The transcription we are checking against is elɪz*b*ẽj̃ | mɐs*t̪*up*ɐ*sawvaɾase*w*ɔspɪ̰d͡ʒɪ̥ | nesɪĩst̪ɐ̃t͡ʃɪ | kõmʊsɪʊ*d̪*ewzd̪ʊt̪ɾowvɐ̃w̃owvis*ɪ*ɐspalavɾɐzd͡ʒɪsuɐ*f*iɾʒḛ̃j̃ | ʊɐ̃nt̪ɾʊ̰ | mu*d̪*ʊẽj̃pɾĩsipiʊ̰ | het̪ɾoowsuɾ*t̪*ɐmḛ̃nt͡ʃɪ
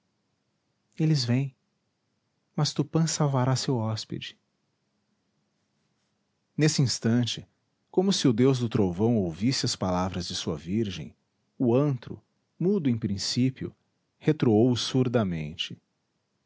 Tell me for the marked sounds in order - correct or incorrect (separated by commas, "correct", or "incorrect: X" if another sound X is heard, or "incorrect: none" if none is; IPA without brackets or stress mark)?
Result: incorrect: v, correct, incorrect: ɐ̃, correct, correct, correct, incorrect: v, correct, incorrect: d̪